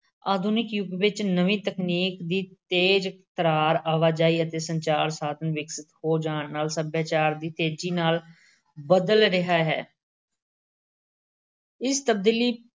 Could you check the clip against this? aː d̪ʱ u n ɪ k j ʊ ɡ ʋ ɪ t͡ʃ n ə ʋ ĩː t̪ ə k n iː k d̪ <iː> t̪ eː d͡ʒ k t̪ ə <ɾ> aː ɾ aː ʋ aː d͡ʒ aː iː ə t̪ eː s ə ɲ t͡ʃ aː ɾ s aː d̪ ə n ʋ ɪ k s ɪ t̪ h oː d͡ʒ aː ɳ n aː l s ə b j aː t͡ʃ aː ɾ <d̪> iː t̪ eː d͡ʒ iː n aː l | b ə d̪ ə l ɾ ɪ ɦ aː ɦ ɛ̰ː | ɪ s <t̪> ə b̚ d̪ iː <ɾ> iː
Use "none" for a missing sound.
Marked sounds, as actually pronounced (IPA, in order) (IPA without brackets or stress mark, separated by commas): iː, ɾ, d̪, t̪, l